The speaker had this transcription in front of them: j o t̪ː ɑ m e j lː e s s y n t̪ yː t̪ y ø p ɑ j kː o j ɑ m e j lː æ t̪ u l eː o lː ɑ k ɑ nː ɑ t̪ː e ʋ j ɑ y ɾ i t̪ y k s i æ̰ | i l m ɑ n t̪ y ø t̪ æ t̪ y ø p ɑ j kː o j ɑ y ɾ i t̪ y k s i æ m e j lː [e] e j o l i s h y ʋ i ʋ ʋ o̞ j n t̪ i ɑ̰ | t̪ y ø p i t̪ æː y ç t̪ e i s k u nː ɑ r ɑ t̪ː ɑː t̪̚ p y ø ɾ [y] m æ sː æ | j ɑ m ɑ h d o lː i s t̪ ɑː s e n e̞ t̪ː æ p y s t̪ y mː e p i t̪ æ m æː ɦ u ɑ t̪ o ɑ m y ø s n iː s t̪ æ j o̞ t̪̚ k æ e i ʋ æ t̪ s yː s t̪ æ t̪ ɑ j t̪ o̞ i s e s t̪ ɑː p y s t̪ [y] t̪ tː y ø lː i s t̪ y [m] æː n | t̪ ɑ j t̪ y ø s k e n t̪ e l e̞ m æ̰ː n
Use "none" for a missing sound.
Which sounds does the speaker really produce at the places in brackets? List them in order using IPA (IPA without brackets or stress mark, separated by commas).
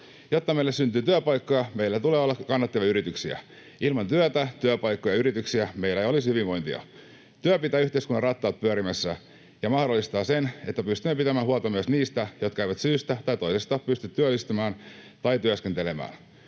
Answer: æ, i, y, m